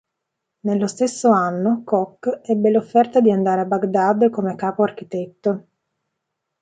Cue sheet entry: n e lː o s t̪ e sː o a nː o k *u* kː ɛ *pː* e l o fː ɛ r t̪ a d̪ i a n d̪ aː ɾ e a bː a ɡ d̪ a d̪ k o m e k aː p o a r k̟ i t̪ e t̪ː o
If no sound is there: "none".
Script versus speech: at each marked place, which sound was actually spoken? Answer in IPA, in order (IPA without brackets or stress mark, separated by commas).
ɔ, bː